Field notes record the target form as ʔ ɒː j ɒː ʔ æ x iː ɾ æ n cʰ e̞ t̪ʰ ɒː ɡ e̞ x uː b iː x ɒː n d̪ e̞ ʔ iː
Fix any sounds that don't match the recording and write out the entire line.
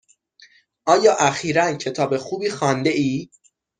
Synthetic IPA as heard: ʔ ɒː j ɒː ʔ æ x iː ɾ æ n cʰ e̞ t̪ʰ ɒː b e̞ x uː b iː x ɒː n d̪ e̞ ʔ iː